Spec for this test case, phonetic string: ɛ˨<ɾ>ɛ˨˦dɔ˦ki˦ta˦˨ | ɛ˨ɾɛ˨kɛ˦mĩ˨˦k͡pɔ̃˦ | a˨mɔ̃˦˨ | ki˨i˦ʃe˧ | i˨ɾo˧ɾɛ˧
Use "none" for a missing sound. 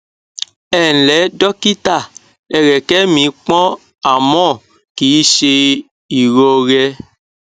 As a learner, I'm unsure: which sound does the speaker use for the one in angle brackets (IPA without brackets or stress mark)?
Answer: l